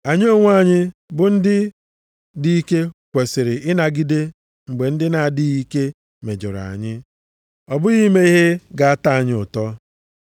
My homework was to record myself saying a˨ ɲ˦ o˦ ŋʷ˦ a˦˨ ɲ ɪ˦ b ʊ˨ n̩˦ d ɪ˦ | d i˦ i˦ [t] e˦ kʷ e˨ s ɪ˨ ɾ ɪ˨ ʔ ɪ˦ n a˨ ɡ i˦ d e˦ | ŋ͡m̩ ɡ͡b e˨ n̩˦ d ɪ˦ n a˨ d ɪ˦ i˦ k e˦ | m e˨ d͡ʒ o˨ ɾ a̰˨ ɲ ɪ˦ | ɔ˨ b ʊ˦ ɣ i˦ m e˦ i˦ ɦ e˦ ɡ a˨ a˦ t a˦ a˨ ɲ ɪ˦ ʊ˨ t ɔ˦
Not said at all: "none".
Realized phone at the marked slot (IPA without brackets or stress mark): k